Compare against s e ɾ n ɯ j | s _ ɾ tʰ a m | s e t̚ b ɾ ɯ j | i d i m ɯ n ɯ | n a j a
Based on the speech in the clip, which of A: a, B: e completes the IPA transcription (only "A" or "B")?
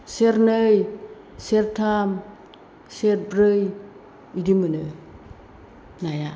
B